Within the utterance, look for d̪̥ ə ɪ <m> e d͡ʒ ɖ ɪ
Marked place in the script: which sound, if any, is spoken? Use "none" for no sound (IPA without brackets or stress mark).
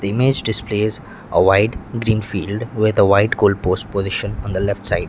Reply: m